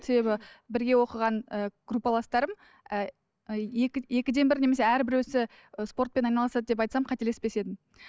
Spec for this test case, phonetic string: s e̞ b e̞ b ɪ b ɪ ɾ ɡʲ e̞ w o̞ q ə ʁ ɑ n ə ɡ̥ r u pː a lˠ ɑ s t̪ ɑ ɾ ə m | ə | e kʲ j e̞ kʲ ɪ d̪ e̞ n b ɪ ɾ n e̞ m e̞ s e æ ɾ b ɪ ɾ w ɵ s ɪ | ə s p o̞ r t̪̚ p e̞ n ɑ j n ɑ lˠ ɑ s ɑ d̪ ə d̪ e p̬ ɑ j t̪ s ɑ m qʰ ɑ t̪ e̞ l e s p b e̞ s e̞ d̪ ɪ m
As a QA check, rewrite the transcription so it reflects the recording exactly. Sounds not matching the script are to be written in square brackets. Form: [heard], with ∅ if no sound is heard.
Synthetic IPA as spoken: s e̞ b e̞ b ɪ b ɪ ɾ ɡʲ e̞ w o̞ q ə ʁ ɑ n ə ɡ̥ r u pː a lˠ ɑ s t̪ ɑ ɾ ə m | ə | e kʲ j e̞ kʲ ɪ d̪ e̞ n b ɪ ɾ n e̞ m e̞ s e æ ɾ b ɪ ɾ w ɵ s ɪ | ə s p o̞ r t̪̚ p e̞ n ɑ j n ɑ lˠ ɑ s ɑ d̪ ə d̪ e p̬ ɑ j t̪ s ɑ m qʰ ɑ t̪ e̞ l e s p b e̞ s e̞ d̪ ɪ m

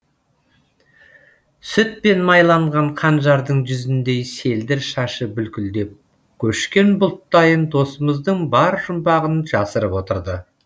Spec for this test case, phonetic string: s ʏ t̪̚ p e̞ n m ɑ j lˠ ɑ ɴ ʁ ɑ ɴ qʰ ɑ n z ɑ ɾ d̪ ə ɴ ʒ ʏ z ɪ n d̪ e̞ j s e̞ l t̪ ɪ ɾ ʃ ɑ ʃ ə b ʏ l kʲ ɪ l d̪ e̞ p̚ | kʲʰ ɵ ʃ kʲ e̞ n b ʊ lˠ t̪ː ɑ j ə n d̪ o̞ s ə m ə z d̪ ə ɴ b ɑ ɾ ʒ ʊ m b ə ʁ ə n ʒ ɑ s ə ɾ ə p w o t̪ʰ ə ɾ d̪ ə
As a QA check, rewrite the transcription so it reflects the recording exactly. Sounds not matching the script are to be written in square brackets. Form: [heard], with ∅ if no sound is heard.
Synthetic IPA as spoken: s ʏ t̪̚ p e̞ n m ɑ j lˠ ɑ ɴ ʁ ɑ ɴ qʰ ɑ n [ʒ] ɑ ɾ d̪ ə ɴ ʒ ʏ z ɪ n d̪ e̞ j s e̞ l [d̪] ɪ ɾ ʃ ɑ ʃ ə b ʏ l kʲ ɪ l d̪ e̞ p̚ | kʲʰ ɵ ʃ kʲ e̞ n b ʊ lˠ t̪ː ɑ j ə n d̪ o̞ s ə m ə z d̪ ə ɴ b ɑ ɾ ʒ ʊ m b [ɑ] ʁ ə n ʒ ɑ s ə ɾ ə p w o [t̪] ə ɾ d̪ ə

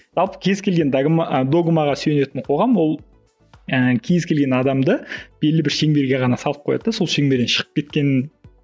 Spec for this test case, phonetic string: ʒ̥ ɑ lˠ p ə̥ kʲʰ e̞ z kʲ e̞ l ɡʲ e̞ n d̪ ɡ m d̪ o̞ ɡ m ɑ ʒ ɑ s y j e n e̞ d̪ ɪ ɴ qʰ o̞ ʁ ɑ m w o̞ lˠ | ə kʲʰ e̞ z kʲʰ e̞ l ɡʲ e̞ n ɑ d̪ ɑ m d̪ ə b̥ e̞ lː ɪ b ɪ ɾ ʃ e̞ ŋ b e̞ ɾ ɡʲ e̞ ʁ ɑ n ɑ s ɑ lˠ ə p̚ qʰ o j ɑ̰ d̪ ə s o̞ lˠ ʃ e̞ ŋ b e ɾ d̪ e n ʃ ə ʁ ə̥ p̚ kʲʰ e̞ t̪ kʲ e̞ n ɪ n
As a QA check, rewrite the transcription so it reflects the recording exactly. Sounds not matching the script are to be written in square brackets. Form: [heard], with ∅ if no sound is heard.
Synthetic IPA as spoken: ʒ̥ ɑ lˠ p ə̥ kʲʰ e̞ z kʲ e̞ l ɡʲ e̞ n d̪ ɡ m d̪ o̞ ɡ m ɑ [ʁ] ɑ s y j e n e̞ [t̪] ɪ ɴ qʰ o̞ ʁ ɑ m w o̞ lˠ | ə kʲʰ e̞ z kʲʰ e̞ l ɡʲ e̞ n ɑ d̪ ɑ m d̪ ə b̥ e̞ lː ɪ b ɪ ɾ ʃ e̞ ŋ b e̞ ɾ ɡʲ e̞ ʁ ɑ n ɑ s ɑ lˠ ə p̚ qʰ o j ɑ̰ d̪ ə s o̞ lˠ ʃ e̞ ŋ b e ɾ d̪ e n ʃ ə ʁ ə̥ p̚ [kʲ] e̞ t̪ kʲ e̞ n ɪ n

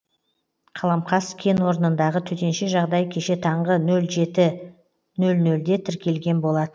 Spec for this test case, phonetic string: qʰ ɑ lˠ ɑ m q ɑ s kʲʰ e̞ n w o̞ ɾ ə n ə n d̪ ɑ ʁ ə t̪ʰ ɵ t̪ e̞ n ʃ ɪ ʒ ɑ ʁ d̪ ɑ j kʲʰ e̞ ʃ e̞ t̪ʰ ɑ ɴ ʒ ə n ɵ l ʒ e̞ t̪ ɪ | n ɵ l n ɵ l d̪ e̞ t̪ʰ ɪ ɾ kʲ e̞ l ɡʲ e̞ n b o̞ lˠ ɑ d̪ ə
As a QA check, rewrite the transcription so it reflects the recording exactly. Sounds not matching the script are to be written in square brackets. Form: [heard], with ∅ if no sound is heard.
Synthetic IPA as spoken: qʰ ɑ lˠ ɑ m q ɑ s kʲʰ e̞ n w o̞ ɾ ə n ə n d̪ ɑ ʁ ə t̪ʰ ɵ t̪ e̞ n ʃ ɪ ʒ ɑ ʁ d̪ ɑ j kʲʰ e̞ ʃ e̞ t̪ʰ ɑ ɴ [ʁ] ə n ɵ l ʒ e̞ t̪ ɪ | n ɵ l n ɵ l d̪ e̞ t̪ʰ ɪ ɾ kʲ e̞ l ɡʲ e̞ n b o̞ lˠ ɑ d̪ ə

